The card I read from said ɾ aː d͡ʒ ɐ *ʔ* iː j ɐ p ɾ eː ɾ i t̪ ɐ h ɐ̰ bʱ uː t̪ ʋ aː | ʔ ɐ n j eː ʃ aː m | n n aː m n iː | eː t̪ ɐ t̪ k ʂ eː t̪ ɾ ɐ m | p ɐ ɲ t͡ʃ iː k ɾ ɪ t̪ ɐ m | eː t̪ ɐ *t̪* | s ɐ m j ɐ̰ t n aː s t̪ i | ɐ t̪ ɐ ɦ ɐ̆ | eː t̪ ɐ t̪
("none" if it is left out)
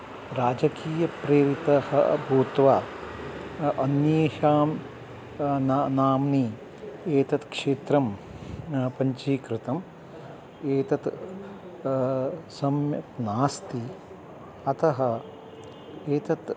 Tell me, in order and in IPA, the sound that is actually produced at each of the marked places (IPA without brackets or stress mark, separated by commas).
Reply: k, t̪